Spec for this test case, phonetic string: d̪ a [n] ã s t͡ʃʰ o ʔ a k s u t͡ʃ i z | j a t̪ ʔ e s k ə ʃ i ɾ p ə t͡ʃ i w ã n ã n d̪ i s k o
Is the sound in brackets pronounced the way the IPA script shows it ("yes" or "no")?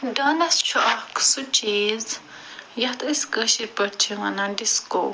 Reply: yes